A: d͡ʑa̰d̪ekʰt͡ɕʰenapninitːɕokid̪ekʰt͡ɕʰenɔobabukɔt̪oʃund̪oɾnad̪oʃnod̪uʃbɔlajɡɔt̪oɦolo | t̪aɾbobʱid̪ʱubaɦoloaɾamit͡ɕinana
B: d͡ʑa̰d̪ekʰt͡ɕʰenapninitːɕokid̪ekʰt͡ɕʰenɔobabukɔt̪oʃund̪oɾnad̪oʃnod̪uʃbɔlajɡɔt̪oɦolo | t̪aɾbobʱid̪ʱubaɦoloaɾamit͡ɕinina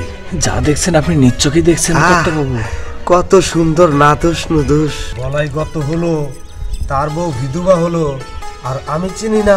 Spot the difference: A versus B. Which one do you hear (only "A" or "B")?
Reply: B